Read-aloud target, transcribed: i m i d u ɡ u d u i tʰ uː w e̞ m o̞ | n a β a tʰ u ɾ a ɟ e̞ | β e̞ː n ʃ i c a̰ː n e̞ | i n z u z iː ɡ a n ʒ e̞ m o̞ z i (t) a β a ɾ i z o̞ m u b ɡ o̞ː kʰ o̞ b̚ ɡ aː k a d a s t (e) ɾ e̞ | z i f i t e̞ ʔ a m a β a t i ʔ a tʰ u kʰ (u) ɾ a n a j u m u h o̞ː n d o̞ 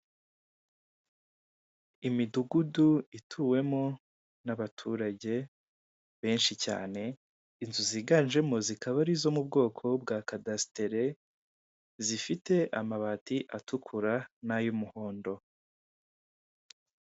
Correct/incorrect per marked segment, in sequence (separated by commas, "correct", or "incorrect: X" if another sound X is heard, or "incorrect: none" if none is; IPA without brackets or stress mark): incorrect: k, correct, correct